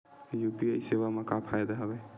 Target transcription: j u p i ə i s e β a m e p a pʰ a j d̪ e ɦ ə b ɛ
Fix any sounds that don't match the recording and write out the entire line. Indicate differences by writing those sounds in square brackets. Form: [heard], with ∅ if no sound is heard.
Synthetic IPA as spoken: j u p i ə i s e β a m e [k] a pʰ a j d̪ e ɦ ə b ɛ